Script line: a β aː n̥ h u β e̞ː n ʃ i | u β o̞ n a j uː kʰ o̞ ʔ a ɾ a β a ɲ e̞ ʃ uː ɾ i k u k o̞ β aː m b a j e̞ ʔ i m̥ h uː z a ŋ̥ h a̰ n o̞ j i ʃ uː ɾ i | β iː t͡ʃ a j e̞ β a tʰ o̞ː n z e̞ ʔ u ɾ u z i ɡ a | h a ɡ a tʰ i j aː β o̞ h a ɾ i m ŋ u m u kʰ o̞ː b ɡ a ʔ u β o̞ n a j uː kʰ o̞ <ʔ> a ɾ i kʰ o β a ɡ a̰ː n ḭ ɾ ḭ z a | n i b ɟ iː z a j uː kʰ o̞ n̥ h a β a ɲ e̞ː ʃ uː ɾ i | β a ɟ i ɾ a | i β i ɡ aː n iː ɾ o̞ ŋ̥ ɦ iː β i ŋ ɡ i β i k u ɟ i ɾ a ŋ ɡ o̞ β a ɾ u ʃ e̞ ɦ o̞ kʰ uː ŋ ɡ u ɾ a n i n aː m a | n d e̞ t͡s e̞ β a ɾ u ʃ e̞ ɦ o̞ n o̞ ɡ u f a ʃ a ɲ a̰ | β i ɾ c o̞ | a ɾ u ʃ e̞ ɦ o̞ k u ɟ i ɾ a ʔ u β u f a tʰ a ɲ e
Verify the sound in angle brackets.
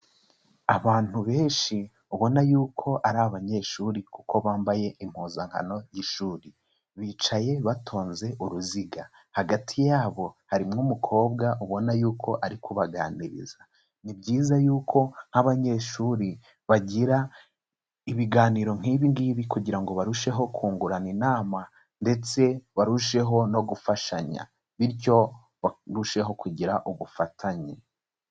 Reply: correct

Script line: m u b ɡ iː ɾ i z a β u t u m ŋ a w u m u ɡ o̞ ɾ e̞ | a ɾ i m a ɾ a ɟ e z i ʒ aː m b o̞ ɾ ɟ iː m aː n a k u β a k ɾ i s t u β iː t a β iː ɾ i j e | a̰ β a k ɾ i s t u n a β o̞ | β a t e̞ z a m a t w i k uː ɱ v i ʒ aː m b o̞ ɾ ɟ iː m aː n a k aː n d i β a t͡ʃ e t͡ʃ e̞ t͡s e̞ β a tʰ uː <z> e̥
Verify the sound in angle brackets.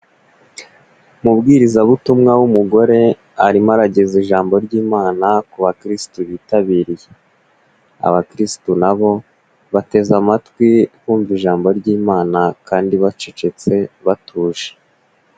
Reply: incorrect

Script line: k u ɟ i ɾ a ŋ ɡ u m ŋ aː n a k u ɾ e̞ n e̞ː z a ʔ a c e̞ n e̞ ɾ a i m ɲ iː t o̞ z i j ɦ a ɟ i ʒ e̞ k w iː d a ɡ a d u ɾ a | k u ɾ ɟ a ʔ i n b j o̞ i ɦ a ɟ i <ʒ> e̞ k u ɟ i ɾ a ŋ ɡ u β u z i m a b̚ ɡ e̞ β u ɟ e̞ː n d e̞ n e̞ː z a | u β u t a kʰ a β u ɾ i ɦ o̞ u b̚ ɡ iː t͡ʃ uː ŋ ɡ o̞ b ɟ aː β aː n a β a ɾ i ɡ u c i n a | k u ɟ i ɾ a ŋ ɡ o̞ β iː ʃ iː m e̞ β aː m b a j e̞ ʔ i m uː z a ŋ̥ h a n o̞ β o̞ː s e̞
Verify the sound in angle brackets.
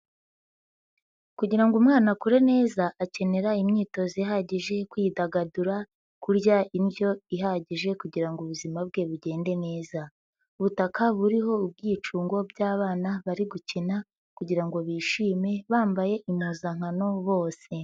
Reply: correct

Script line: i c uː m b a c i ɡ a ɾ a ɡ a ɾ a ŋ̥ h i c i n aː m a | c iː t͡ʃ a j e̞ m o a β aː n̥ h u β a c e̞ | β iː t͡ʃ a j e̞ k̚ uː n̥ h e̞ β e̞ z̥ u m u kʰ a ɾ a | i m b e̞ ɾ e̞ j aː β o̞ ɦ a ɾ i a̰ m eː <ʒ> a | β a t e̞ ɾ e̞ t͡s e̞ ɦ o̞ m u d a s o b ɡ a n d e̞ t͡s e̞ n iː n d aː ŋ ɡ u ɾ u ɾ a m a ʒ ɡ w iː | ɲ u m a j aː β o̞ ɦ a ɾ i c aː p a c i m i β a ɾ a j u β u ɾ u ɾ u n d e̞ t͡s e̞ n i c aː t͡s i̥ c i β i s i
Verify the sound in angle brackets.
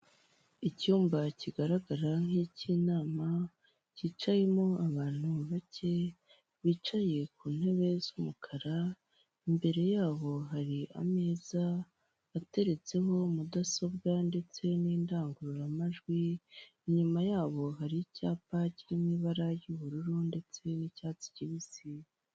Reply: incorrect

